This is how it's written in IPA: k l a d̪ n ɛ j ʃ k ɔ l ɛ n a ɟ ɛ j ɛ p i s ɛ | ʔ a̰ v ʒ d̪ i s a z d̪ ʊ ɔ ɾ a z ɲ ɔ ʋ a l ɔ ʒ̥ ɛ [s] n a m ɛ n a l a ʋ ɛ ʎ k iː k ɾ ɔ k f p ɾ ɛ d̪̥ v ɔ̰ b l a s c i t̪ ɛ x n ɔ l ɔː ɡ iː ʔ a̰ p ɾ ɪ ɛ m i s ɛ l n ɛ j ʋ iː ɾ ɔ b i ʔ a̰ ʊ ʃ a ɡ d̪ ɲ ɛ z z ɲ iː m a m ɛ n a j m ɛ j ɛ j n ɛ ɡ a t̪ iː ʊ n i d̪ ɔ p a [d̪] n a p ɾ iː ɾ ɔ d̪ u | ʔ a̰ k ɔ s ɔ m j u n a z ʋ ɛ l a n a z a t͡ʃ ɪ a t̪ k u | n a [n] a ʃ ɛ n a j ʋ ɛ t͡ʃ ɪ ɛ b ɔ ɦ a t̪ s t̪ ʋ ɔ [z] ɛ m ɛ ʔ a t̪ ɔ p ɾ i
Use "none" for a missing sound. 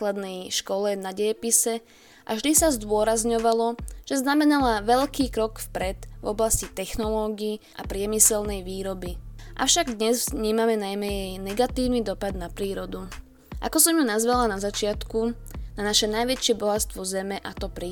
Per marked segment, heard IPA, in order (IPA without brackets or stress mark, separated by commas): z, d̪, n, z